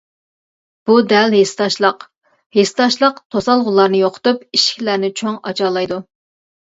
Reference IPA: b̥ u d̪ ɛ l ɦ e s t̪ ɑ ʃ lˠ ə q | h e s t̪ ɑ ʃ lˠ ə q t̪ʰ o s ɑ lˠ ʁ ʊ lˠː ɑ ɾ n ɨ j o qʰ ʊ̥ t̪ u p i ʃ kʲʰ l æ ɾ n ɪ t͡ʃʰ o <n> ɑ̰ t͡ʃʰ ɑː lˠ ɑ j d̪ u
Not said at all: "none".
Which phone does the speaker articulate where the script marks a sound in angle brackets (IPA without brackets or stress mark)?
ŋ